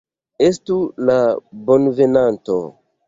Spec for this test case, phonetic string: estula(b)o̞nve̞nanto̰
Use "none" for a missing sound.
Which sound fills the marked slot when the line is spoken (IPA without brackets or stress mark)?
b